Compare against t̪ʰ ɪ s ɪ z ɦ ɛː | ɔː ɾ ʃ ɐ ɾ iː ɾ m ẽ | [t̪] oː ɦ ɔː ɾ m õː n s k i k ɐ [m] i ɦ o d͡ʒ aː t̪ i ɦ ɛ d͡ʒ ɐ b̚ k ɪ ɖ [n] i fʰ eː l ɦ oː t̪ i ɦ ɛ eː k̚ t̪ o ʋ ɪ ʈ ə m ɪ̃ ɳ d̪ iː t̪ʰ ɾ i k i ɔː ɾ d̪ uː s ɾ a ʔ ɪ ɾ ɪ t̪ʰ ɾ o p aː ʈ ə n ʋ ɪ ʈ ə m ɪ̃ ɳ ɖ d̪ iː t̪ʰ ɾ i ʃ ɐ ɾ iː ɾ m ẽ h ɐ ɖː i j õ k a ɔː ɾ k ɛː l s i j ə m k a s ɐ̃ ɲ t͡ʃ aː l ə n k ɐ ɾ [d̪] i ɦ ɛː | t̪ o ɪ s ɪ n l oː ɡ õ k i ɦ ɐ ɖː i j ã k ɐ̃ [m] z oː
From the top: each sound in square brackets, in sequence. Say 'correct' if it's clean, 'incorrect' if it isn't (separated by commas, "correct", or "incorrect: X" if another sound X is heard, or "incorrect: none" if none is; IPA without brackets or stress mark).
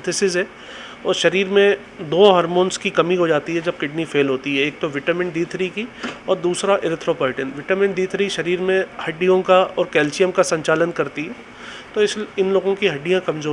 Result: incorrect: d̪, correct, correct, incorrect: t̪, correct